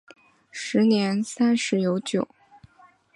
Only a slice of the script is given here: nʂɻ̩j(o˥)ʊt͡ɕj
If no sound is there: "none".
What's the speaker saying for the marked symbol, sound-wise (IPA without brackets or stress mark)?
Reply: o˧˥